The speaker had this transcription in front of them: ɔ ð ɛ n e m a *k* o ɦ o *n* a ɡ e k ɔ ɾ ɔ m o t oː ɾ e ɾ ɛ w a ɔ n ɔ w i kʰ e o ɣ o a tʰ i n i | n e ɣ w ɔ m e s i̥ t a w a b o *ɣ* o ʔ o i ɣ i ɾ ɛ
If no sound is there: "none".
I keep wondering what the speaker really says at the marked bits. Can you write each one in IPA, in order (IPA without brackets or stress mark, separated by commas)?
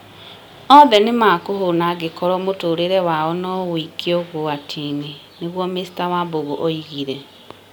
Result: k, n, ɣ